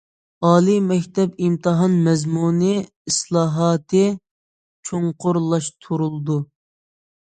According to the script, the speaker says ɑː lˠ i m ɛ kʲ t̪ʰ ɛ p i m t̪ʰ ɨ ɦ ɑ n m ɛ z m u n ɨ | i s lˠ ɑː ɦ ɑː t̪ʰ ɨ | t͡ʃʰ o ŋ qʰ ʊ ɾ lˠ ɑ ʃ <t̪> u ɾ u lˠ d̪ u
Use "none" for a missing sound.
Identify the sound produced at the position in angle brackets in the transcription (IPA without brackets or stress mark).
t̪ʰ